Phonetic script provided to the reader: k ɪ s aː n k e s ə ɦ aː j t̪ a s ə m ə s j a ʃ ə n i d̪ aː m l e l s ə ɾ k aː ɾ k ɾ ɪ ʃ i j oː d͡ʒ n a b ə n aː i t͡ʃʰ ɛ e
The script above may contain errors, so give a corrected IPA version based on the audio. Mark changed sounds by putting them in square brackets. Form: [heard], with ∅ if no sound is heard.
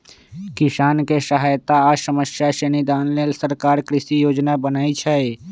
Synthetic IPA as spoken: k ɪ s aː n k e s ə ɦ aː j t̪ a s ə m ə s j a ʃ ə n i d̪ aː [n] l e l s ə ɾ k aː ɾ k ɾ ɪ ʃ i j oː d͡ʒ n a b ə n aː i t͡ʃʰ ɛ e